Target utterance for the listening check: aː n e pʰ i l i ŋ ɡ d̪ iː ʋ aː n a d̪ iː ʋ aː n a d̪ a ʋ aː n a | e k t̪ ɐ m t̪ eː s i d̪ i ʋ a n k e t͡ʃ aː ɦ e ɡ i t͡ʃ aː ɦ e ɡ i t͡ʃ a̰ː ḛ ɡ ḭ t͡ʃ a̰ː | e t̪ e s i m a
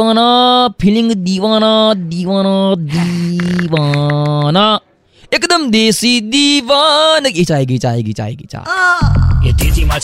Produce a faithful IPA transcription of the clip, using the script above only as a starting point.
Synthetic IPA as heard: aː n a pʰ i l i ŋ ɡ d̪ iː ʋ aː n a d̪ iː ʋ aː n a d̪ i ʋ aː n a | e k d̪ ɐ m d̪ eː s i d̪ i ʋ a n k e t͡ʃ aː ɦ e ɡ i t͡ʃ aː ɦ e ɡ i t͡ʃ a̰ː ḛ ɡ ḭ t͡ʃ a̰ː | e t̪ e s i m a